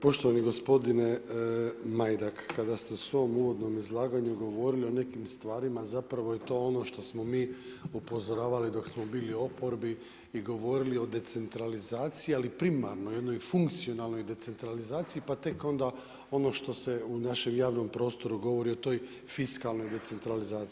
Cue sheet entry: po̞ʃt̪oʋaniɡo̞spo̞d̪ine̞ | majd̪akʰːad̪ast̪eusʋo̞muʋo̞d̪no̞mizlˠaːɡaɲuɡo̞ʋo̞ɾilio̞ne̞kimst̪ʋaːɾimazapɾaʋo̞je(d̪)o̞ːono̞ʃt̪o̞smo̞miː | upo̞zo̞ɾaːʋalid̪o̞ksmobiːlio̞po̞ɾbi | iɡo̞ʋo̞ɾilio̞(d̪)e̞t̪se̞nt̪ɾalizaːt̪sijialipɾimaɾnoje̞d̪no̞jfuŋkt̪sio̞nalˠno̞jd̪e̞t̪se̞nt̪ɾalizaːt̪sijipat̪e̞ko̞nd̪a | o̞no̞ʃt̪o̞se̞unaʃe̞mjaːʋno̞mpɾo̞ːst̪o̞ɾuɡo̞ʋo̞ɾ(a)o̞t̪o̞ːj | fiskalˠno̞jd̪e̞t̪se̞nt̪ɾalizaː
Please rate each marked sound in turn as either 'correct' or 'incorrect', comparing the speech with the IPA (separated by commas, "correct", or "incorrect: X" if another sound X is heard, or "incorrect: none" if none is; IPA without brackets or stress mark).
incorrect: t̪, correct, incorrect: i